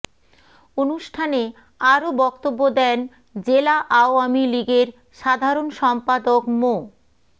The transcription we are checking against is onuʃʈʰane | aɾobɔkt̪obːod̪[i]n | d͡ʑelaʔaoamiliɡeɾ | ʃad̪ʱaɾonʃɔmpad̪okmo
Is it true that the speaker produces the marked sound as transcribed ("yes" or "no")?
no